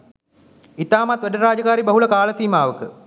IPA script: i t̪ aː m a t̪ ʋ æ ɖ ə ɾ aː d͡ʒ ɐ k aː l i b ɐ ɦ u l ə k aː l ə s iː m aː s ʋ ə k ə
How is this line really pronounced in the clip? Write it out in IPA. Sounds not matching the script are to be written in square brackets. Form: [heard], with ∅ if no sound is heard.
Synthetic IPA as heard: i t̪ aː m a t̪ ʋ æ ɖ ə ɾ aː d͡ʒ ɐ k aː [ɾ] i b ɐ ɦ u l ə k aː l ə s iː m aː [∅] ʋ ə k ə